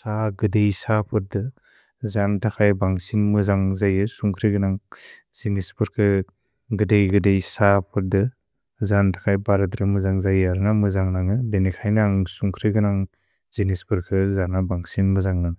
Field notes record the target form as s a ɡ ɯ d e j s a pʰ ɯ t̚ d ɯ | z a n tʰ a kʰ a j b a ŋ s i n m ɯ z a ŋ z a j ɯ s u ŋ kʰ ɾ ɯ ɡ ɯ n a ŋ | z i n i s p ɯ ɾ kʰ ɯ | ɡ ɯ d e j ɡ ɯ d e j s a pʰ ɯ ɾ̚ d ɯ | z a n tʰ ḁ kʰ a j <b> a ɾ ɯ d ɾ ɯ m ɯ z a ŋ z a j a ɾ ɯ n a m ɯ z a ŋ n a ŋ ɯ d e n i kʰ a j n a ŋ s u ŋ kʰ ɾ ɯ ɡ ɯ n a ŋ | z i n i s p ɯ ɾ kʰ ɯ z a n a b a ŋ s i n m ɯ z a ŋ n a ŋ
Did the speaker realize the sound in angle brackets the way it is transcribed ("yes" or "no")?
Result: yes